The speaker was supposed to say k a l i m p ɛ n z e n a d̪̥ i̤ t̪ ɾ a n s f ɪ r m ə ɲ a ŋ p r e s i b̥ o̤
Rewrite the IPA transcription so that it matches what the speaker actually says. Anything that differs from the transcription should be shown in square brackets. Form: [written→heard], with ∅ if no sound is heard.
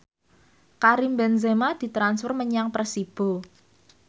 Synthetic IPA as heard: k a [l→ɾ] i m [p→b] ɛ n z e [n→m] a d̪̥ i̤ t̪ ɾ a n s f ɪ r m ə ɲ a ŋ p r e s i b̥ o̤